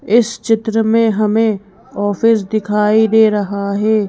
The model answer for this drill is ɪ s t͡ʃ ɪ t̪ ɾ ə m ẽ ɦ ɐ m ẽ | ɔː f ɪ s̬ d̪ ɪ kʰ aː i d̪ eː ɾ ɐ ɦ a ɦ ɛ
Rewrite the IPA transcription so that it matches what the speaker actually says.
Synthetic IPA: ɪ s t͡ʃ ɪ t̪ ɾ ə m ẽ ɦ ɐ m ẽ | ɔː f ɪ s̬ d̪ ɪ kʰ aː i d̪ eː ɾ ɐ ɦ a ɦ ɛː